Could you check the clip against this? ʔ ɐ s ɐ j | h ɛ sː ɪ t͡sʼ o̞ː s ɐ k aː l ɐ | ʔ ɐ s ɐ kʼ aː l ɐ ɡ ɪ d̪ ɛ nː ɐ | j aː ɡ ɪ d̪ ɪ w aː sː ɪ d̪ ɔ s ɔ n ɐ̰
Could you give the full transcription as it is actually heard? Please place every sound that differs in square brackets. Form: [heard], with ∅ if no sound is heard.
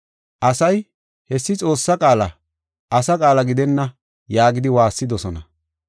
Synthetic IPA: ʔ ɐ s ɐ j | h ɛ sː ɪ t͡sʼ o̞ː [sː] ɐ [kʼ] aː l ɐ | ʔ ɐ s ɐ kʼ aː l ɐ ɡ ɪ d̪ ɛ nː ɐ | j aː ɡ ɪ d̪ ɪ w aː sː ɪ d̪ ɔ s ɔ n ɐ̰

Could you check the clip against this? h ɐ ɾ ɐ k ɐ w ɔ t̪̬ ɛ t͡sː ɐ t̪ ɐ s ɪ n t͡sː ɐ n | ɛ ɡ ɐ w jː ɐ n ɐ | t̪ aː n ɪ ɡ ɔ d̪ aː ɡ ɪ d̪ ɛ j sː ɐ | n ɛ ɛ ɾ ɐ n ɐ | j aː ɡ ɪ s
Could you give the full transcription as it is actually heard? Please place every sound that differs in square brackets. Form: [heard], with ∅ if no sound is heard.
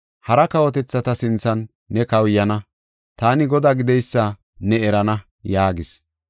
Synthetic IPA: h ɐ ɾ ɐ k ɐ w ɔ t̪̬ ɛ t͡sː ɐ t̪ ɐ s ɪ n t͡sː ɐ [nː] | ɛ [k] ɐ w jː ɐ n ɐ | t̪ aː n ɪ ɡ ɔ d̪ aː ɡ ɪ d̪ ɛ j sː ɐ | n ɛ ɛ ɾ ɐ n ɐ | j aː ɡ ɪ s

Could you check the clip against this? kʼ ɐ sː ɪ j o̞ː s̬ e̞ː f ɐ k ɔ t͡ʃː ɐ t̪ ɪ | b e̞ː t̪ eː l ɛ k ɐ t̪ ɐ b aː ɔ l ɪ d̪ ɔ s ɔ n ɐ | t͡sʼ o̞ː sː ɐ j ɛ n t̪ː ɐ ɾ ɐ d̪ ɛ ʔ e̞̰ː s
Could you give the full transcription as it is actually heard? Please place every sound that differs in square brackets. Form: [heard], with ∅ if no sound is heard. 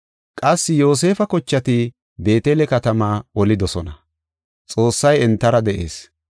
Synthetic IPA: kʼ ɐ sː ɪ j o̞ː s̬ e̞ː f ɐ k ɔ t͡ʃː ɐ t̪ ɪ | b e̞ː t̪ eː l ɛ k ɐ t̪ ɐ [m] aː ɔ l ɪ d̪ ɔ s ɔ n ɐ | t͡sʼ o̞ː sː ɐ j ɛ n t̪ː ɐ ɾ ɐ d̪ ɛ ʔ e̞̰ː s

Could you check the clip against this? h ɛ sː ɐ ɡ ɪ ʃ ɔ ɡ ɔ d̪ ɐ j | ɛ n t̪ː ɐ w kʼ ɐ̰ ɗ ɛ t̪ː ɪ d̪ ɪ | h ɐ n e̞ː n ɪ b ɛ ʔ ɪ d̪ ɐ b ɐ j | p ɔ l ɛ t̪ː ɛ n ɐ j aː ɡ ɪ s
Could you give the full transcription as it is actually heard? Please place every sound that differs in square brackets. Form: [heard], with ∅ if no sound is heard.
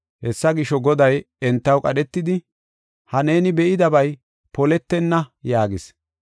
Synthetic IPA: h ɛ sː ɐ ɡ ɪ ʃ ɔ ɡ ɔ d̪ ɐ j | ɛ n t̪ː ɐ w kʼ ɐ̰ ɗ ɛ t̪ː ɪ d̪ ɪ | h ɐ n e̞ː n ɪ b ɛ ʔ ɪ d̪ ɐ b ɐ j | p ɔ l ɛ t̪ː ɛ [nː] ɐ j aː ɡ ɪ s

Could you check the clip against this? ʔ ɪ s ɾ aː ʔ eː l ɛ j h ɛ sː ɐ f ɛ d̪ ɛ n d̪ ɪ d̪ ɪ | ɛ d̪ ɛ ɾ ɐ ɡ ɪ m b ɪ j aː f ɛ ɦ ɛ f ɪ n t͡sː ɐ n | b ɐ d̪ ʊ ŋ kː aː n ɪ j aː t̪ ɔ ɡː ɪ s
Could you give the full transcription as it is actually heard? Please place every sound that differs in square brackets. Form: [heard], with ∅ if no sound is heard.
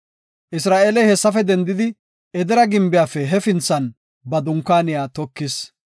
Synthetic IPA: ʔ ɪ s ɾ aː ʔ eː l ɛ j h ɛ sː ɐ f ɛ d̪ ɛ n d̪ ɪ d̪ ɪ | ɛ d̪ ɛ ɾ ɐ ɡ ɪ m b ɪ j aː f ɛ ɦ ɛ f ɪ n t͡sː ɐ n | b ɐ d̪ ʊ ŋ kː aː n ɪ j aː t̪ ɔ [kː] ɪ s

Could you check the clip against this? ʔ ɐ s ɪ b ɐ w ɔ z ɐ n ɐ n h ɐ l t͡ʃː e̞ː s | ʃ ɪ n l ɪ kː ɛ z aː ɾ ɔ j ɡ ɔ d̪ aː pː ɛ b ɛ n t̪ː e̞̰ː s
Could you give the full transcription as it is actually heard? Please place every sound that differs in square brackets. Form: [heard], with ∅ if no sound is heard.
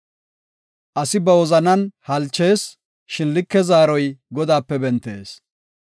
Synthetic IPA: ʔ ɐ s ɪ b ɐ w ɔ z ɐ n ɐ n h ɐ l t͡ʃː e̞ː s | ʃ ɪ n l ɪ kː ɛ z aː ɾ ɔ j ɡ ɔ d̪ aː pː ɛ b ɛ n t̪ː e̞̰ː s

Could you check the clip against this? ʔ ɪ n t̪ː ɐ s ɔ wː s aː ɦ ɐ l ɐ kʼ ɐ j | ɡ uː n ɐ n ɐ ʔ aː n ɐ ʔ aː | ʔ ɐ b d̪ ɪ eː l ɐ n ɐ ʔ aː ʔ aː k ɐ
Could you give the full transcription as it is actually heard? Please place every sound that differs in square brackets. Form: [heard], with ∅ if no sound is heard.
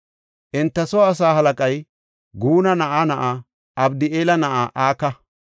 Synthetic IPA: ʔ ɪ n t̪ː ɐ s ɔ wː s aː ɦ ɐ l ɐ kʼ ɐ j | ɡ uː n ɐ n ɐ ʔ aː n ɐ ʔ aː | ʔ ɐ b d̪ ɪ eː l ɐ n ɐ ʔ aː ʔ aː k ɐ

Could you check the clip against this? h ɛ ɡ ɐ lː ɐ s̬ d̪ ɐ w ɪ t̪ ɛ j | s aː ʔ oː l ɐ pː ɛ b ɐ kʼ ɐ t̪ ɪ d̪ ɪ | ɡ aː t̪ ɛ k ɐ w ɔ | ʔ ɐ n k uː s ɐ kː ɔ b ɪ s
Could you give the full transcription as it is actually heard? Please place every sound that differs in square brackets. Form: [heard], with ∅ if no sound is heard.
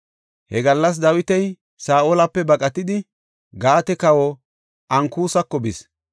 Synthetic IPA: h ɛ ɡ ɐ lː ɐ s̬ d̪ ɐ w ɪ t̪ ɛ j | s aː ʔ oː l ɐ pː ɛ b ɐ kʼ ɐ t̪ ɪ d̪ ɪ | ɡ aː t̪ ɛ k ɐ w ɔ | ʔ ɐ [ŋ] k uː s ɐ kː ɔ b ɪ s

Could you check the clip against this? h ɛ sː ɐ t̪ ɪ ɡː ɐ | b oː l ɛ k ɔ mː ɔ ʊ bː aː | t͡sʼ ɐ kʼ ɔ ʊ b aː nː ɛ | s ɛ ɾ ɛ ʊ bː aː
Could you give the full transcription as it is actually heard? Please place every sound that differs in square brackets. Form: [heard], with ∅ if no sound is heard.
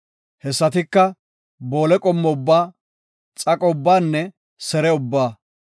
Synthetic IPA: h ɛ sː ɐ t̪ ɪ [kː] ɐ | b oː l ɛ [kʼ] ɔ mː ɔ ʊ bː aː | t͡sʼ ɐ kʼ ɔ ʊ [bː] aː nː ɛ | s ɛ ɾ ɛ ʊ bː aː

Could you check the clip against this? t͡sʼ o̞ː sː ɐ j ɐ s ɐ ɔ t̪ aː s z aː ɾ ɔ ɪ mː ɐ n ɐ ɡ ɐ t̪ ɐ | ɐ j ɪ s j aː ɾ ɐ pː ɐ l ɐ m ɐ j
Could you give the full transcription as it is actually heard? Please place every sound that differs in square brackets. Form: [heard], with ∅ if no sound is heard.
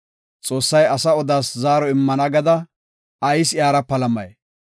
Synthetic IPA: t͡sʼ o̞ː sː ɐ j ɐ s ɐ ɔ [d̪] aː s z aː ɾ ɔ ɪ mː ɐ n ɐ ɡ ɐ [d̪] ɐ | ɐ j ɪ s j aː ɾ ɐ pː ɐ l ɐ m ɐ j

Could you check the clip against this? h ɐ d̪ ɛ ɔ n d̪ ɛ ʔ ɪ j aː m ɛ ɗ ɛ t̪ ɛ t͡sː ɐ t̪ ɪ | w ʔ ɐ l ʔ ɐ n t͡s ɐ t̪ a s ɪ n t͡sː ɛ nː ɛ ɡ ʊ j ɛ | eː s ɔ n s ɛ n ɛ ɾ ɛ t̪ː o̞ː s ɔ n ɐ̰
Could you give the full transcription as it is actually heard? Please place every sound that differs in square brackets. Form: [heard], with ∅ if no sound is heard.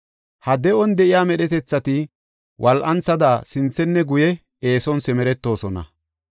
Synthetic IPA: h ɐ d̪ ɛ ɔ n d̪ ɛ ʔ ɪ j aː m ɛ ɗ ɛ t̪ ɛ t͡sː ɐ t̪ ɪ | w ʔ ɐ l ʔ ɐ n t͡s ɐ [d̪] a s ɪ n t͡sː ɛ nː ɛ ɡ ʊ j ɛ | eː s ɔ n s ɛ [m] ɛ ɾ ɛ t̪ː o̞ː s ɔ n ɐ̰

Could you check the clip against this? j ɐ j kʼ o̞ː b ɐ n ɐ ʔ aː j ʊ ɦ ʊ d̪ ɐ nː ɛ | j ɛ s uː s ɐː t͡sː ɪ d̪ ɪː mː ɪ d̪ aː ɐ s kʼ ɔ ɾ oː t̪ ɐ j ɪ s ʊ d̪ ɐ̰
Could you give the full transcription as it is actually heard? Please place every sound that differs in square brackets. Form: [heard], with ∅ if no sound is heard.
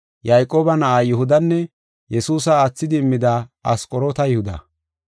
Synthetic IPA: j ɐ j kʼ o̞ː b ɐ n ɐ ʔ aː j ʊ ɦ ʊ d̪ ɐ nː ɛ | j ɛ s uː s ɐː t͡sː ɪ d̪ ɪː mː ɪ d̪ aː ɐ s kʼ ɔ ɾ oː t̪ ɐ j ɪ [h] ʊ d̪ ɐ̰

